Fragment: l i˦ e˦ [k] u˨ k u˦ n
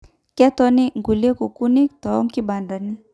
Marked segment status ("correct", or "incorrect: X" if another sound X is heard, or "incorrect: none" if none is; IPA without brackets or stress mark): correct